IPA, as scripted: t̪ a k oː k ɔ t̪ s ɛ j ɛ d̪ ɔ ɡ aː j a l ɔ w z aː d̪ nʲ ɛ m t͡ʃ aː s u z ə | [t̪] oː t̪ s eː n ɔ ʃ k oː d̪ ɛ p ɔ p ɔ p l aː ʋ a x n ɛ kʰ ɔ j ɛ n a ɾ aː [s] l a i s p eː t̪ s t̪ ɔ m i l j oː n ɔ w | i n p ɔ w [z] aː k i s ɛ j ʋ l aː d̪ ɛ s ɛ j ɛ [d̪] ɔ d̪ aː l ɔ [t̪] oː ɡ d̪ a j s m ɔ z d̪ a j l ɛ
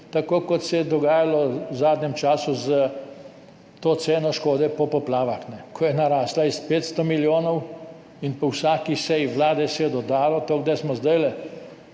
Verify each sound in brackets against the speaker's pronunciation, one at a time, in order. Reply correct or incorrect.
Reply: correct, correct, incorrect: s, correct, correct

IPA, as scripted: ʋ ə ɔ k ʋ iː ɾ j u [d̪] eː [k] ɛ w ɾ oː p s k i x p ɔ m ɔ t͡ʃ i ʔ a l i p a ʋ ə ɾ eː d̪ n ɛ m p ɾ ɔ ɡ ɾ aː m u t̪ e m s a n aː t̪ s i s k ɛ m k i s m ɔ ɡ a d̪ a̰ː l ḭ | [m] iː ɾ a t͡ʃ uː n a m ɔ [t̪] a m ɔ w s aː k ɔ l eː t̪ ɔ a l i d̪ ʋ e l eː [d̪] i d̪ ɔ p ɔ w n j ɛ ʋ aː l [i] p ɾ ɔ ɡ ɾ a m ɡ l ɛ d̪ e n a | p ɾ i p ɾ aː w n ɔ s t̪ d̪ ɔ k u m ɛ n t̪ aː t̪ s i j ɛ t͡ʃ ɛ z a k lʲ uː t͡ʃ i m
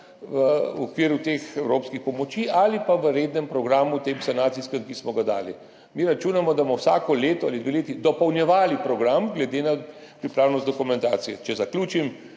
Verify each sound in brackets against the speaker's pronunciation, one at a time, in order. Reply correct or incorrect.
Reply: incorrect: t̪, incorrect: x, correct, incorrect: d̪, incorrect: t̪, correct

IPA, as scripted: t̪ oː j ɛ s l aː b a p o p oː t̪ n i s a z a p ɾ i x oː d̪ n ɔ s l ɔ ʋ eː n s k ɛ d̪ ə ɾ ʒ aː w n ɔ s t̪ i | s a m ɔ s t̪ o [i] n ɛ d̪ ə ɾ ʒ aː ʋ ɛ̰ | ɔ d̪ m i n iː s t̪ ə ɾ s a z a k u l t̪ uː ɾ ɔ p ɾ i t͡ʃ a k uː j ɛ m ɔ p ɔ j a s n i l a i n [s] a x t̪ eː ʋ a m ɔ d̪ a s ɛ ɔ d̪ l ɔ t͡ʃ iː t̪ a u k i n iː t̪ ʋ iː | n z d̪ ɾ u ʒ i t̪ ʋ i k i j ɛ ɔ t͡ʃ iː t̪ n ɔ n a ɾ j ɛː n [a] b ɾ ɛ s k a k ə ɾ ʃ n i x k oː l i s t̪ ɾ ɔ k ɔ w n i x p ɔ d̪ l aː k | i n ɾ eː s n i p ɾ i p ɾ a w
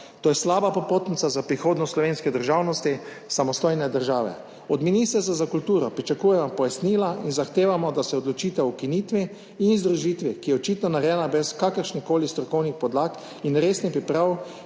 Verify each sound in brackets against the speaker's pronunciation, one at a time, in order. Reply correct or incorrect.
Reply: incorrect: j, incorrect: z, correct

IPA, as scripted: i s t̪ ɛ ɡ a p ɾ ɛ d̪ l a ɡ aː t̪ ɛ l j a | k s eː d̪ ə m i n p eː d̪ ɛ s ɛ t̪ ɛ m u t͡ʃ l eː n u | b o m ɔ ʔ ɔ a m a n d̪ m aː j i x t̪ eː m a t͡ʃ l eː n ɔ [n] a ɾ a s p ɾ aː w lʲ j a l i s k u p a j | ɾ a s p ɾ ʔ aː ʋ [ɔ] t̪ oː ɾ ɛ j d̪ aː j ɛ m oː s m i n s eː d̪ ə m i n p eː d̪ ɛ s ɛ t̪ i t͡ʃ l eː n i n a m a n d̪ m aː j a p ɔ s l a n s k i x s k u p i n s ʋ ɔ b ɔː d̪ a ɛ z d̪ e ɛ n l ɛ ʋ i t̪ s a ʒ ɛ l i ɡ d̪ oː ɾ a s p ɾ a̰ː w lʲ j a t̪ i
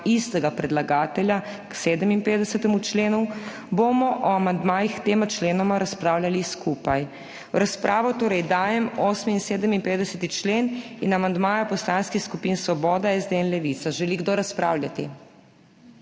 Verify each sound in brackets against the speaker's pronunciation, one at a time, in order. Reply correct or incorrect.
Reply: incorrect: m, correct

